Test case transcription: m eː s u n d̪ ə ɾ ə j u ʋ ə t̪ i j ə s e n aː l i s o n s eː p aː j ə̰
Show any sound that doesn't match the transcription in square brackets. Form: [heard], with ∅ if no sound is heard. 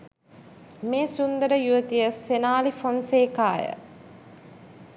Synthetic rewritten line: m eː s u n d̪ ə ɾ ə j u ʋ ə t̪ i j ə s e n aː l i [f] o n s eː [k] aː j ə̰